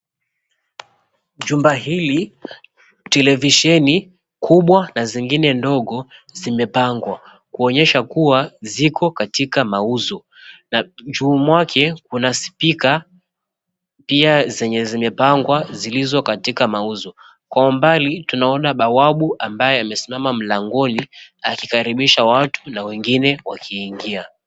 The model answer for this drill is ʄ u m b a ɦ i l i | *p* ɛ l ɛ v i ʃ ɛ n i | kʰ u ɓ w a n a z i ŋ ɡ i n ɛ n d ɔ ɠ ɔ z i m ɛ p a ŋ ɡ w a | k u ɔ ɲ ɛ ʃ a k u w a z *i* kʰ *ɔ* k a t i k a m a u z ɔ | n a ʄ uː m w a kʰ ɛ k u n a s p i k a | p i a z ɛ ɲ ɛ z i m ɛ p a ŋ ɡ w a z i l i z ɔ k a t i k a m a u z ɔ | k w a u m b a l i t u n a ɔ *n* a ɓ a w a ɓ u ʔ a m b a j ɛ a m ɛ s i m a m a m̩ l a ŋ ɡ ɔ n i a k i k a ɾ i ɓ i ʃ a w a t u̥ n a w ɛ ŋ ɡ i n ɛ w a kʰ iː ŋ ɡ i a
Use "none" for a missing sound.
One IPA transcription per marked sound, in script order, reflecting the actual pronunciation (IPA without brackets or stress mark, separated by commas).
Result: t, i, ɔ, n